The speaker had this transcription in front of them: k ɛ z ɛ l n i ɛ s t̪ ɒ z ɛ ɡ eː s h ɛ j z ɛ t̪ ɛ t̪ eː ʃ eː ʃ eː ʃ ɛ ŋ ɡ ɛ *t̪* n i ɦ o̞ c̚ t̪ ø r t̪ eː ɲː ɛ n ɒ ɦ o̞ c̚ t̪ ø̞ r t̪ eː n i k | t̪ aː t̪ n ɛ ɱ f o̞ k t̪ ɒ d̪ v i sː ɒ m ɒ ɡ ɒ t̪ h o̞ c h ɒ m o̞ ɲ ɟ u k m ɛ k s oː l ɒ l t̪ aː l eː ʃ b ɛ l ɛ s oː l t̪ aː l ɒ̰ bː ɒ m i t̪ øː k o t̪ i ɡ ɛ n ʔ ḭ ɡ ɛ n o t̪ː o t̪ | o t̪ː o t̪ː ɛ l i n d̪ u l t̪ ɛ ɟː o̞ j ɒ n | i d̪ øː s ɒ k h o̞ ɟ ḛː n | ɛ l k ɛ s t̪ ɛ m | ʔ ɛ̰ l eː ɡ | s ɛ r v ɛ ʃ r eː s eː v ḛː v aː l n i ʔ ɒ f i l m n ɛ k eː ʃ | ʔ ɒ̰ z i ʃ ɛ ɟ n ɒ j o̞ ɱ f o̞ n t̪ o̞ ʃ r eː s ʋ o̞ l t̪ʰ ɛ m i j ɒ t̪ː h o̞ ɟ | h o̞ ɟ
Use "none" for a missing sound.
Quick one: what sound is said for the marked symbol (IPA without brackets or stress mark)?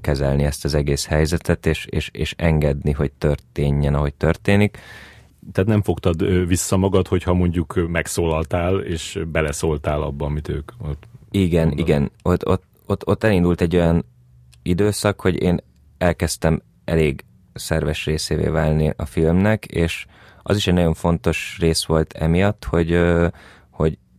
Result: d̪